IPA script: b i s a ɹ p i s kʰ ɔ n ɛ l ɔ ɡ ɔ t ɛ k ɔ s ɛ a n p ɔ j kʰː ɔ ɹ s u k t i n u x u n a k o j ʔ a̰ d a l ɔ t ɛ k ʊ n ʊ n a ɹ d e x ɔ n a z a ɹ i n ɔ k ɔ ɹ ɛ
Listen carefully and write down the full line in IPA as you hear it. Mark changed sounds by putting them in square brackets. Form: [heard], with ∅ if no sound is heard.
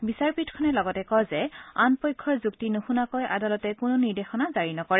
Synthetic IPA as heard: b i s a ɹ p i [t] kʰ ɔ n ɛ l ɔ ɡ ɔ t ɛ k ɔ [z] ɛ a n p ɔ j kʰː ɔ ɹ [z] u k t i n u x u n a k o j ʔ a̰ d a l ɔ t ɛ k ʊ n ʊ n [i] ɹ d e x ɔ n a z a ɹ i n ɔ k ɔ ɹ ɛ